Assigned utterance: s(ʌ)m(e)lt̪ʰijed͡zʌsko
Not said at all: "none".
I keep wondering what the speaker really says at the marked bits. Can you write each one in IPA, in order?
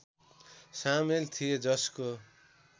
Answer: a, e

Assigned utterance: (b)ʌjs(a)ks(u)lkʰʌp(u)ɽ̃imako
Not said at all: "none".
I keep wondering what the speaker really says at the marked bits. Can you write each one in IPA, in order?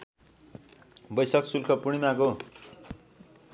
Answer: b, ʌ, u, u

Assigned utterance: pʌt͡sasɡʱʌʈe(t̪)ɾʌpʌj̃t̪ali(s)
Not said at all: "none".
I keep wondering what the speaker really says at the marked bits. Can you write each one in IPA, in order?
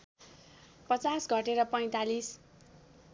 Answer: none, s

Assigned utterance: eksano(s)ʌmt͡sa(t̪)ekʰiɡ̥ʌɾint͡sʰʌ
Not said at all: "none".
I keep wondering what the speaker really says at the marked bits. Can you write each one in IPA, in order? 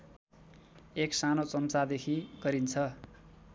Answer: t͡s, d̪

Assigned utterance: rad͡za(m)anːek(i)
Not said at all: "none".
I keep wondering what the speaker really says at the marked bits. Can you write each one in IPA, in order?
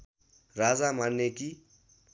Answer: m, i

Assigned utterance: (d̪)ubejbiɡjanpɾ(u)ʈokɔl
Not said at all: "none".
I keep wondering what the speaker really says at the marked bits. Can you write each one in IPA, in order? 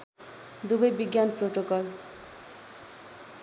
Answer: d̪, o

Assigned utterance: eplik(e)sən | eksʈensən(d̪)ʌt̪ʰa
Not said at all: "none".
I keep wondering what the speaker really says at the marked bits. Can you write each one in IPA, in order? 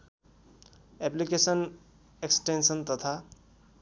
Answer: e, t̪

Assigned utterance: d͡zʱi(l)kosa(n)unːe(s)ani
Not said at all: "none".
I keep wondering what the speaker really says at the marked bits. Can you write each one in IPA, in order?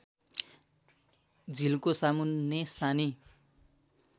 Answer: l, m, s

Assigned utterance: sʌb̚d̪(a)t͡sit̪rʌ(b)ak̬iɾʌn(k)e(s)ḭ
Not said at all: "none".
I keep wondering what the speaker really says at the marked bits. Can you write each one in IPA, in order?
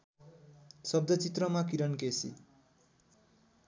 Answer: ʌ, m, k, s

